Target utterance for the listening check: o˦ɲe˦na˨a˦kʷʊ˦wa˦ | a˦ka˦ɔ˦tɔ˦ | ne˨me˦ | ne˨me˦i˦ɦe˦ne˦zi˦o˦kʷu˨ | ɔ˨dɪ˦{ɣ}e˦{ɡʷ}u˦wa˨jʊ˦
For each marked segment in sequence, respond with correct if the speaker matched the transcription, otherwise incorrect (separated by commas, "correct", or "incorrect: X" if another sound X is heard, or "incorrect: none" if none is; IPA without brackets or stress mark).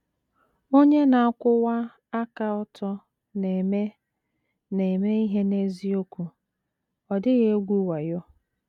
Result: correct, correct